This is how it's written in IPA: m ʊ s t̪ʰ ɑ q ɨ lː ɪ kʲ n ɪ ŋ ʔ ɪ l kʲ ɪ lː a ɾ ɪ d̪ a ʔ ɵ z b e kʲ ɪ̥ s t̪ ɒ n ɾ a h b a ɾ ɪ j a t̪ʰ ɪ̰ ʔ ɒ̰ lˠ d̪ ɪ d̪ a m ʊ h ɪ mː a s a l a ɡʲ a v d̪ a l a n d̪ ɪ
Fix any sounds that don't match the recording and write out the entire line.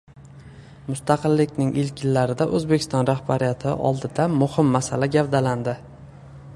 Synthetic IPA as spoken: m ʊ s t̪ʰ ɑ q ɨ lː ɪ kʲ n ɪ ŋ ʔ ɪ l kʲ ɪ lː a ɾ ɪ d̪ a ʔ ɵ z b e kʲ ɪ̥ s t̪ ɒ n ɾ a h b a ɾ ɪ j a t̪ʰ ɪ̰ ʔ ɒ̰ lˠ d̪ ɪ d̪ a m ʊ h ɪ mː a s a l a ɡʲ a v d̪ a l a n d̪ ɪ

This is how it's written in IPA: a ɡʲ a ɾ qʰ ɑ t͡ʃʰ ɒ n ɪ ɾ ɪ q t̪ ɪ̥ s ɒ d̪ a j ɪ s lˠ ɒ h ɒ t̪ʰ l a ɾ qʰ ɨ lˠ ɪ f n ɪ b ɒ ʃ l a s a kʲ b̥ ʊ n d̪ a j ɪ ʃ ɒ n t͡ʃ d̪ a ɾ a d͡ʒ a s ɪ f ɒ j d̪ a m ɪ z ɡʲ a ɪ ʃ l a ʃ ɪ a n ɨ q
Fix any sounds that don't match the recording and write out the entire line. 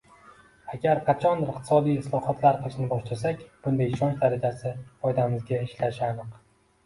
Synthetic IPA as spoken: a ɡʲ a ɾ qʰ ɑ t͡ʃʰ ɒ n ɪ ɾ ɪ q t̪ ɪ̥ s ɒ d̪ i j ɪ s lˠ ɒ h ɒ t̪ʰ l a ɾ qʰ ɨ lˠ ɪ ʃ n ɪ b ɒ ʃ l a s a kʲ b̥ ʊ n d̪ a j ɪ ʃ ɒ n t͡ʃ d̪ a ɾ a d͡ʒ a s ɪ f ɒ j d̪ a m ɪ z ɡʲ a ɪ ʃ l a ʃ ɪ a n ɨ q

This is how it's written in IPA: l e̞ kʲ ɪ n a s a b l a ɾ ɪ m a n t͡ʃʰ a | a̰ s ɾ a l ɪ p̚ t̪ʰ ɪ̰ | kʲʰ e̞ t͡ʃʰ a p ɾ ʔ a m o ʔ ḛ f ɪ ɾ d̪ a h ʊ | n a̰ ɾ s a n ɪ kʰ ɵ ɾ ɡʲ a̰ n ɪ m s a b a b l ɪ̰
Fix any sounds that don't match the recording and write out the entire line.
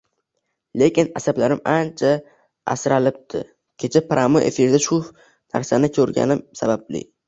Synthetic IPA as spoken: l e̞ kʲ ɪ n a s a b l a ɾ ɪ m a n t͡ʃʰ a | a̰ s ɾ a l ɪ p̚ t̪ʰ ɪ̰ | kʲʰ e̞ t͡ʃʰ a p ɾ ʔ a m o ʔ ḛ f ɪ ɾ d̪ a ʃ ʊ | n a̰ ɾ s a n ɪ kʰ ɵ ɾ ɡʲ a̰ n ɪ m s a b a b l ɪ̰

